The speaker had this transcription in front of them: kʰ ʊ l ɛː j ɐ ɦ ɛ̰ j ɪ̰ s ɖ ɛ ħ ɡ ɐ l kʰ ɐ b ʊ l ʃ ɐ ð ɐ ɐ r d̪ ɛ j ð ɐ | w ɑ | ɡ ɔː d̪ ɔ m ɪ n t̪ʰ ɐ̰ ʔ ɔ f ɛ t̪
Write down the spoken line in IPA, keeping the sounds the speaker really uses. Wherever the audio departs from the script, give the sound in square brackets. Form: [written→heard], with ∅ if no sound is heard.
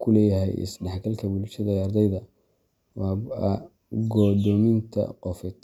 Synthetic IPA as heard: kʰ ʊ l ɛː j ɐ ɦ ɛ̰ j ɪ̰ s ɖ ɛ ħ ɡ ɐ l kʰ ɐ b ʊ l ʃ ɐ ð ɐ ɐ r d̪ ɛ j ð ɐ | w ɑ | ɡ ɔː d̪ ɔ m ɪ n t̪ʰ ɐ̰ [ʔ→q] ɔ f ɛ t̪